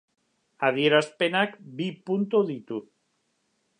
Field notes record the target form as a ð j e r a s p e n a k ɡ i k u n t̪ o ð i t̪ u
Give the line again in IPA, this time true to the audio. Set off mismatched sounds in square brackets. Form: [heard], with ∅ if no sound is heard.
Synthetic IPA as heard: a ð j e [ɾ] a s p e n a k [b] i [p] u n t̪ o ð i t̪ u